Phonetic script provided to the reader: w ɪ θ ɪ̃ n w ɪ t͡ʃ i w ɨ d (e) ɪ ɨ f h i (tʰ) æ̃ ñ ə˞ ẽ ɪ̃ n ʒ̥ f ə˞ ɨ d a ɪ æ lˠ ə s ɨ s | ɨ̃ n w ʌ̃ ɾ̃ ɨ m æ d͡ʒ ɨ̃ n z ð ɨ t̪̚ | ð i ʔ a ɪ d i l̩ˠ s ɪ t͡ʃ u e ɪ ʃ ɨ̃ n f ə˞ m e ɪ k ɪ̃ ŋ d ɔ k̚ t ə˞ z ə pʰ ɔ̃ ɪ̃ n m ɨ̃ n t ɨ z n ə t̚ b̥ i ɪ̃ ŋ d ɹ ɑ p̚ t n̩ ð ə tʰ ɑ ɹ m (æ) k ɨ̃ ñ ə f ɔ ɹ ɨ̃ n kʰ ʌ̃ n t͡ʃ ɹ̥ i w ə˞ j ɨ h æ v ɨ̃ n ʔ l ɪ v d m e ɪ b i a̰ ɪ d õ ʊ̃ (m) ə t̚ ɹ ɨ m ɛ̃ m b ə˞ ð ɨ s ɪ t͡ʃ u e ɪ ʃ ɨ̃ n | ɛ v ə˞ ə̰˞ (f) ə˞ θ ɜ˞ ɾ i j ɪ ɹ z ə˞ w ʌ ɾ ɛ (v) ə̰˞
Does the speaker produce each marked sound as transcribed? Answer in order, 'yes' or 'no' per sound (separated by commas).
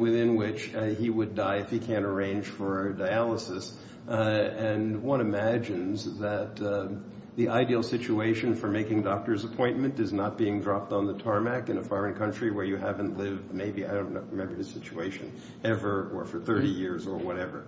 no, no, yes, no, yes, yes